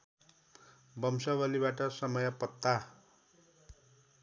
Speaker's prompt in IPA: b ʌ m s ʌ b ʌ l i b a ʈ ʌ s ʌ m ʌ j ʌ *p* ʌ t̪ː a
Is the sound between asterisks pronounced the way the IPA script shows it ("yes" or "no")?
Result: yes